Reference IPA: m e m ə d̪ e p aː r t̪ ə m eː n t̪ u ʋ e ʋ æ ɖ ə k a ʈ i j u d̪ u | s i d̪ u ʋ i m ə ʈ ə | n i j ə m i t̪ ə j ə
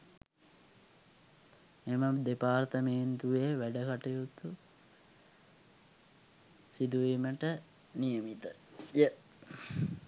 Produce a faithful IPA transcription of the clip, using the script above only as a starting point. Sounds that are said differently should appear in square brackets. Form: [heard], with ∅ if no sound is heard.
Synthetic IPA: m e m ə d̪ e p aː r t̪ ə m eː n t̪ u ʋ e ʋ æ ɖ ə k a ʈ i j u [t̪] u | s i d̪ u ʋ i m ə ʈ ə | n i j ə m i t̪ ə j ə